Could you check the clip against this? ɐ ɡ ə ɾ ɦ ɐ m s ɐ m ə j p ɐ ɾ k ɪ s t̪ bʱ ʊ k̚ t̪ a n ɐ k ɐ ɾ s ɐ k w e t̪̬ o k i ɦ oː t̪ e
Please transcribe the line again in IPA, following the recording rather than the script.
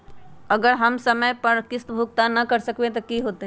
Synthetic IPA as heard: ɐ ɡ ə ɾ ɦ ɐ m s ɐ m ə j p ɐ ɾ k ɪ s t̪ bʱ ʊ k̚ t̪ a n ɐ k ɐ ɾ s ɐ k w e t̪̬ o k i ɦ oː t̪ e